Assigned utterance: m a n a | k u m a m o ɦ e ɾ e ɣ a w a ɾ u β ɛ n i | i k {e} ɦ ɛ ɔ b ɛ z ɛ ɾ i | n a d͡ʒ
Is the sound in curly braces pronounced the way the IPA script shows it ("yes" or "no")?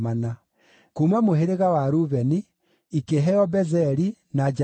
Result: yes